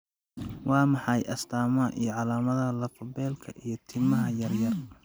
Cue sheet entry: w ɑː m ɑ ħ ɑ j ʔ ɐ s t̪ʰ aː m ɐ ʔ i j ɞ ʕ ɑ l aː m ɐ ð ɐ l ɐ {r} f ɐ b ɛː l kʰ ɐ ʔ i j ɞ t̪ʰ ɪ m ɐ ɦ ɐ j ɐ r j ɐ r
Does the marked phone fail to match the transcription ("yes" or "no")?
yes